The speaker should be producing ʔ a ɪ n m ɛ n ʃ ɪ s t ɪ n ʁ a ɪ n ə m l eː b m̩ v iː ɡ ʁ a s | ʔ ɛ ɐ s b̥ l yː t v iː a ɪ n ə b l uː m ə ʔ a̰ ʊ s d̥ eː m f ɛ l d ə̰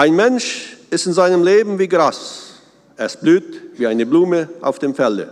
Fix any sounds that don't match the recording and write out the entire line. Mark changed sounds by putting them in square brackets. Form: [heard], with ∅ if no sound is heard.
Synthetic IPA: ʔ a ɪ n m ɛ n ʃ ɪ s t ɪ n [z] a ɪ n ə m l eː b m̩ v iː ɡ ʁ a s | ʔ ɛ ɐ s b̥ l yː t v iː a ɪ n ə b l uː m ə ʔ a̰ ʊ [f] d̥ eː m f ɛ l d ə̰